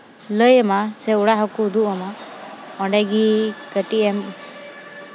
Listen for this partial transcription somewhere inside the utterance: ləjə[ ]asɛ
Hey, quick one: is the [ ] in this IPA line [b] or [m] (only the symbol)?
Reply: m